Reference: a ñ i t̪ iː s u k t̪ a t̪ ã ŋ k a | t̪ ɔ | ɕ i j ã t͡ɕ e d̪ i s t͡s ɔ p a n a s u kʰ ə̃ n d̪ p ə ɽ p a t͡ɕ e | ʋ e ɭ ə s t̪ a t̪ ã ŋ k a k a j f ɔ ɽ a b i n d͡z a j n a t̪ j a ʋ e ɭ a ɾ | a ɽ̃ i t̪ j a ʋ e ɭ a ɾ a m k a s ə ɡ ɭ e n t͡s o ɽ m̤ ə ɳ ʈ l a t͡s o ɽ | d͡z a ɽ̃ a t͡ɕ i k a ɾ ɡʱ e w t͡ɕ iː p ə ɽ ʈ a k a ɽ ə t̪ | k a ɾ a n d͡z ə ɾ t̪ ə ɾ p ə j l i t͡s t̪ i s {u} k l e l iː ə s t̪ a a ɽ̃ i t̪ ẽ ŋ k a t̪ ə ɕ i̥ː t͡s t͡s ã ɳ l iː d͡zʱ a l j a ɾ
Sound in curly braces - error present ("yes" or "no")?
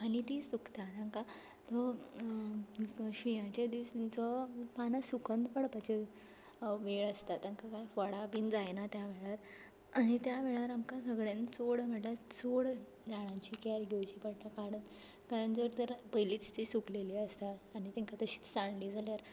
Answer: no